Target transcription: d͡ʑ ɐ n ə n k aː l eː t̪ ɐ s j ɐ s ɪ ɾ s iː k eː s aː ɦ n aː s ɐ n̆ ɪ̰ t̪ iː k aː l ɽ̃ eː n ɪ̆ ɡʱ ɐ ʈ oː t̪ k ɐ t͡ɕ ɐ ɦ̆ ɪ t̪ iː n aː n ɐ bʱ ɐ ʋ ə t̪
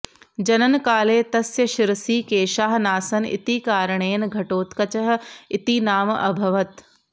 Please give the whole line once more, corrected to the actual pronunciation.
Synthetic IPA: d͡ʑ ɐ n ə n k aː l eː t̪ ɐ s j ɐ ʃ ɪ ɾ s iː k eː ʃ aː ɦ n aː s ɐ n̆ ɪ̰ t̪ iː k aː ɾ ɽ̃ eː n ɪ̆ ɡʱ ɐ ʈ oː t̪ k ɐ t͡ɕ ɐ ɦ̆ ɪ t̪ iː n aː m ɐ bʱ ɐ ʋ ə t̪

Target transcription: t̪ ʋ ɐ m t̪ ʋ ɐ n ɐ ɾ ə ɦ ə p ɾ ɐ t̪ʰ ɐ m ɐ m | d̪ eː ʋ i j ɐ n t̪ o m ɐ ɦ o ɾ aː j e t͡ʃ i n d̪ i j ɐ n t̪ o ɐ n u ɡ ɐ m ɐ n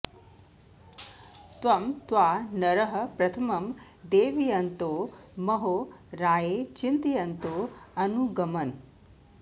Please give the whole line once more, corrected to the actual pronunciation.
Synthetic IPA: t̪ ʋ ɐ m t̪ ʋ a n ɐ ɾ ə ɦ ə p ɾ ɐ t̪ʰ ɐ m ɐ m | d̪ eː ʋ i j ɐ n t̪ o m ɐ ɦ o ɾ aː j e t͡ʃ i n t̪ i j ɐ n t̪ o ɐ n u ɡ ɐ m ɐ n

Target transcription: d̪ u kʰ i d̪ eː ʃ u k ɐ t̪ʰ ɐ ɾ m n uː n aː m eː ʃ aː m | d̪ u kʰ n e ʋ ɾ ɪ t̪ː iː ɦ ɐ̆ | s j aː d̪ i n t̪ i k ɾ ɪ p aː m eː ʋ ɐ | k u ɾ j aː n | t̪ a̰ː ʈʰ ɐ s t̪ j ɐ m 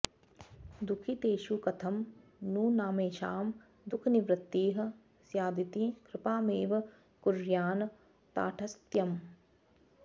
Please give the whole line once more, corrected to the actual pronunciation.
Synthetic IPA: d̪ u kʰ i t̪ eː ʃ u k ɐ t̪ʰ ɐ m n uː n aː m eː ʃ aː m | d̪ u kʰ n i ʋ ɾ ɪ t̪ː iː ɦ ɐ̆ | s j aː d̪ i t̪ i k ɾ ɪ p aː m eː ʋ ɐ | k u ɾ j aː n | t̪ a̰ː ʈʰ ɐ s t̪ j ɐ m

